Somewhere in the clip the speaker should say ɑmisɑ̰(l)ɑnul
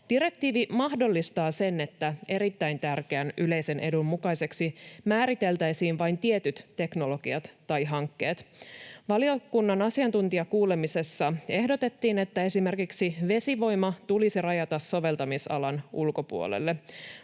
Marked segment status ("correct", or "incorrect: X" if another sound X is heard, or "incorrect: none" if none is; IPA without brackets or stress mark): correct